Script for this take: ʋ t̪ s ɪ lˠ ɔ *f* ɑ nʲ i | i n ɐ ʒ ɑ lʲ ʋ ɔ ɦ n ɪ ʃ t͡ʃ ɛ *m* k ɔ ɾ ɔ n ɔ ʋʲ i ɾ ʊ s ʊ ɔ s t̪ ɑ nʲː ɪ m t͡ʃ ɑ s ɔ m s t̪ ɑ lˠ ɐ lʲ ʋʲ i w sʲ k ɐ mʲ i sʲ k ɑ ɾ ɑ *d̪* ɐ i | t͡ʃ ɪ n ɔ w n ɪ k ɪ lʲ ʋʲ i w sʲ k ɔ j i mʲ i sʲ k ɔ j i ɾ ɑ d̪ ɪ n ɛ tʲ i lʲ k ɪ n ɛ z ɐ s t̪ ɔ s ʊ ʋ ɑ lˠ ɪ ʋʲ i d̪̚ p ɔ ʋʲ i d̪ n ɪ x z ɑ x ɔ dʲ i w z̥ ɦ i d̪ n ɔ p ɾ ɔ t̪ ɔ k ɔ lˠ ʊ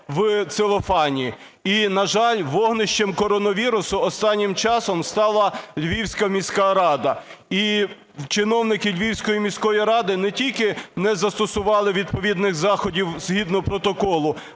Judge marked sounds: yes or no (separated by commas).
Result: yes, yes, yes